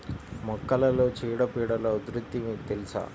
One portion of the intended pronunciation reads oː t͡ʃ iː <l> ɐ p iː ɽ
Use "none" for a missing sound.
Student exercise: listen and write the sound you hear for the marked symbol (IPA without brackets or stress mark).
ɽ